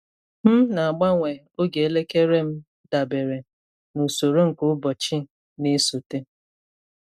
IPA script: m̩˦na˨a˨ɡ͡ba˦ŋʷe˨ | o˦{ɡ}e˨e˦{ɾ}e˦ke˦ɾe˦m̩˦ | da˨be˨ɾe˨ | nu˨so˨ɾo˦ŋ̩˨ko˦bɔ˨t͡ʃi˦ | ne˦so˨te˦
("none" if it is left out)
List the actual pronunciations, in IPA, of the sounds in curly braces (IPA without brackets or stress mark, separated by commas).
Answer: ɡ, l